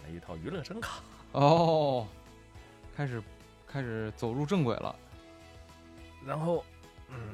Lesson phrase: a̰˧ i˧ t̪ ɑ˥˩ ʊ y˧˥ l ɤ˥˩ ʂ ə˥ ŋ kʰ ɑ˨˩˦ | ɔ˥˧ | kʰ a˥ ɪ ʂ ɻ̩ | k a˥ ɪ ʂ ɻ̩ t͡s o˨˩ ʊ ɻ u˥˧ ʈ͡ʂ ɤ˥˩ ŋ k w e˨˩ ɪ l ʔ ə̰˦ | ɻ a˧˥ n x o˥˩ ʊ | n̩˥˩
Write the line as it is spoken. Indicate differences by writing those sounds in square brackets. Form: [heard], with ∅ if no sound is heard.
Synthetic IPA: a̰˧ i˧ [t̪ʰ] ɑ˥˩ ʊ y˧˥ l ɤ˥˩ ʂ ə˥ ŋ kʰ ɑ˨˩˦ | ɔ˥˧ | kʰ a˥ ɪ ʂ ɻ̩ | [kʰ] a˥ ɪ ʂ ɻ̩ t͡s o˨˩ ʊ ɻ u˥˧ ʈ͡ʂ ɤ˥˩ ŋ k w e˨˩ ɪ l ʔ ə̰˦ | ɻ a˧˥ n x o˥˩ ʊ | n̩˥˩